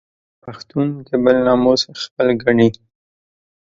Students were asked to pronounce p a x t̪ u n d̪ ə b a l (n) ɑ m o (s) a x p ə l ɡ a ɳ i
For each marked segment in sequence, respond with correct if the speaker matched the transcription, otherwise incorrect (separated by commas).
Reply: correct, correct